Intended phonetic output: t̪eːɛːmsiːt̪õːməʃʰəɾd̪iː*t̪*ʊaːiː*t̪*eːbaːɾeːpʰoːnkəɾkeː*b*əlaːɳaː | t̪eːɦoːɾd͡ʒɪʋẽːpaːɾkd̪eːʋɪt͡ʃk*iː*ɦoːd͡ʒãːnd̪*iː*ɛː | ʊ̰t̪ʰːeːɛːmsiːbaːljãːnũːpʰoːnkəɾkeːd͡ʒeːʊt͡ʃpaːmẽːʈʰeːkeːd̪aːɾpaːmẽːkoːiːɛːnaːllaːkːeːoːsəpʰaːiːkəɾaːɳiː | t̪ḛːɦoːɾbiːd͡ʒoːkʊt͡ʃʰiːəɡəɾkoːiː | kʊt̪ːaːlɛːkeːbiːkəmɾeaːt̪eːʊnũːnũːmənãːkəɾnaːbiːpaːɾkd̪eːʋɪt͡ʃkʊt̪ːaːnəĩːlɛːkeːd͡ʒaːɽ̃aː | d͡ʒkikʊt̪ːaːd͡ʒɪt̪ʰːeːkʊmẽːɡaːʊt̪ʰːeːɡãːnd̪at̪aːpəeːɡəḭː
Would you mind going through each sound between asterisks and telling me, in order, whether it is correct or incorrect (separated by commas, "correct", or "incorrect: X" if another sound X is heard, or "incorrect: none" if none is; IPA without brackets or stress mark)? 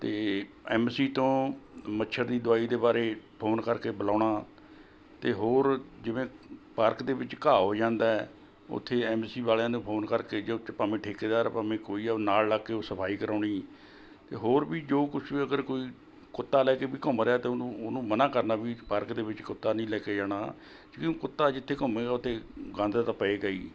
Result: incorrect: d̪, incorrect: d̪, correct, incorrect: aː, incorrect: aː